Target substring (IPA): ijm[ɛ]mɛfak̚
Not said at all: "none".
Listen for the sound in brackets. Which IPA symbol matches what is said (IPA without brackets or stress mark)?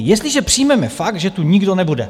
ɛ